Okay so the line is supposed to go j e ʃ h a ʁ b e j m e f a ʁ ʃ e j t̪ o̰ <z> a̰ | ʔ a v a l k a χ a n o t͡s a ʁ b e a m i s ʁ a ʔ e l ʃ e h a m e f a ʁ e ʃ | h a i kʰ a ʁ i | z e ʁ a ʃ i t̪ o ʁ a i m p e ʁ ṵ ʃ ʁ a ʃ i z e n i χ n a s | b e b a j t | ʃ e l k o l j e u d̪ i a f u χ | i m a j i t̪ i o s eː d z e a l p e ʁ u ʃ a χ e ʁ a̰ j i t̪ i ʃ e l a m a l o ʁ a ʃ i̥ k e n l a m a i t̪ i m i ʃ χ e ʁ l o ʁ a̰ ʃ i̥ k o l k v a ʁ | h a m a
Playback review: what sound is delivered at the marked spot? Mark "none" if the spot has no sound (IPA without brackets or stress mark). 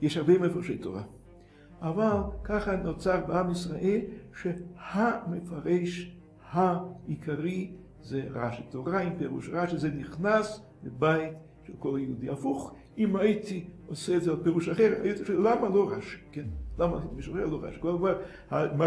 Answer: ʁ